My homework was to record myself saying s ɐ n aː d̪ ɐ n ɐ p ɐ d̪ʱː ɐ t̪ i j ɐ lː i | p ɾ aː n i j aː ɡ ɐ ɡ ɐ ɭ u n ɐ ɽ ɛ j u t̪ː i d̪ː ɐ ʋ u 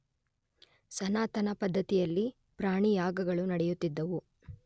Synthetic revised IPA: s ɐ n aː t̪ ɐ n ɐ p ɐ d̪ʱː ɐ t̪ i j ɐ lː i | p ɾ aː ɳ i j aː ɡ ɐ ɡ ɐ ɭ u n ɐ ɽ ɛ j u t̪ː i d̪ː ɐ ʋ u